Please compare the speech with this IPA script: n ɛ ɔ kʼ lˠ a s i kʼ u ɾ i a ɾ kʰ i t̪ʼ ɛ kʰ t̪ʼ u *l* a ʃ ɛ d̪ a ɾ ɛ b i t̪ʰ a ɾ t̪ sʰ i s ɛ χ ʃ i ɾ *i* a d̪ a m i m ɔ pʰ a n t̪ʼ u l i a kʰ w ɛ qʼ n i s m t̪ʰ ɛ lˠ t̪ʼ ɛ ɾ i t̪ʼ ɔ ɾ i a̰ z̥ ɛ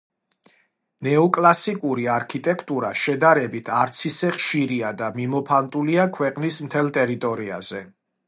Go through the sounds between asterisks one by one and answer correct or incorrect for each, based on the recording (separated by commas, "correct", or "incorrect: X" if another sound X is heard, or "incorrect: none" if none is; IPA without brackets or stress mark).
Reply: incorrect: ɾ, correct